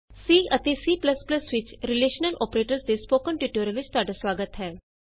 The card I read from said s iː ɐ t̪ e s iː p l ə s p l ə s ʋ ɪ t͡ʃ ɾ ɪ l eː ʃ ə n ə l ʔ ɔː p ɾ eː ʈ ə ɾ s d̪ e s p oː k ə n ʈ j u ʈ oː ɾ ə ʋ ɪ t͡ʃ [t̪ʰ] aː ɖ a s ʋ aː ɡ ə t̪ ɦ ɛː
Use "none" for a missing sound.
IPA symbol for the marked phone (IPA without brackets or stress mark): t̪